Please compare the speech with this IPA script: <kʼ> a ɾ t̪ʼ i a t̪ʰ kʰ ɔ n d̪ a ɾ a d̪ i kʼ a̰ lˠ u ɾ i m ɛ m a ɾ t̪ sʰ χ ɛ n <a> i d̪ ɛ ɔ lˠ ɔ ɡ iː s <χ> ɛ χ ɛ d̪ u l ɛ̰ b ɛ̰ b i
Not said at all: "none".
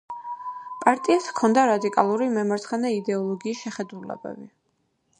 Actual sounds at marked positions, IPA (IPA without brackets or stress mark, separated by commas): pʼ, ɛ, ʃ